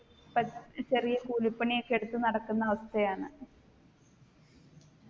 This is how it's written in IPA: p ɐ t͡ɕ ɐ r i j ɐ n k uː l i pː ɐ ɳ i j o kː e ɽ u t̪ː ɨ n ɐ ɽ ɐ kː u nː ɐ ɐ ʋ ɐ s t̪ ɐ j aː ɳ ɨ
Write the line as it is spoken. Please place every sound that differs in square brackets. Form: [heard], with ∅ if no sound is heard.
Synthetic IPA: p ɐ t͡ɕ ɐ r i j ɐ [∅] k uː l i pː ɐ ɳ i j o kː e ɽ u t̪ː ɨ n ɐ ɽ ɐ kː u nː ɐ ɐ ʋ ɐ s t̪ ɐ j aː ɳ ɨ